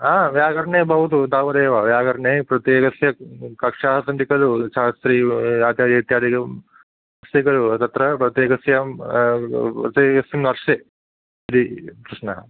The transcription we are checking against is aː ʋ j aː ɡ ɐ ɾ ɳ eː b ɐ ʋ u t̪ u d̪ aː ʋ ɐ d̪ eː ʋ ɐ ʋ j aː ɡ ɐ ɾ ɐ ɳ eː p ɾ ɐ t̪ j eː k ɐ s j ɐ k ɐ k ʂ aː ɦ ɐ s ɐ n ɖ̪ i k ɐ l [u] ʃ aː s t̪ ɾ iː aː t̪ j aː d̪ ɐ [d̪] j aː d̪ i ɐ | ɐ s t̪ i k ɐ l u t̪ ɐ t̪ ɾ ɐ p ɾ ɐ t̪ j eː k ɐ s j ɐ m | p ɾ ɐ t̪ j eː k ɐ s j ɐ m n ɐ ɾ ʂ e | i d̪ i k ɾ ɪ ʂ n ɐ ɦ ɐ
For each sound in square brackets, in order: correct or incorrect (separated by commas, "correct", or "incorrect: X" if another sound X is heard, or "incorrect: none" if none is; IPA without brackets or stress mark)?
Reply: correct, incorrect: t̪